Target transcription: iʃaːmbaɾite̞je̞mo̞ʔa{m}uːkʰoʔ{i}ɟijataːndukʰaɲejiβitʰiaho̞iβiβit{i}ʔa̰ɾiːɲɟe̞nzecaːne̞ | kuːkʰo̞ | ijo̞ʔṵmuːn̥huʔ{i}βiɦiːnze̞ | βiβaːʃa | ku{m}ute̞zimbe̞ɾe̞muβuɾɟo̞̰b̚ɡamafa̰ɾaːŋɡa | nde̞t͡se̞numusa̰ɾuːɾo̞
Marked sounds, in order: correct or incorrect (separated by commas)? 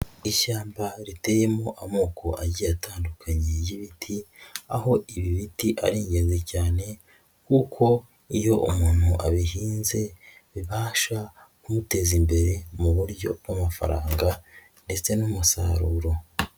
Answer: correct, incorrect, correct, incorrect, correct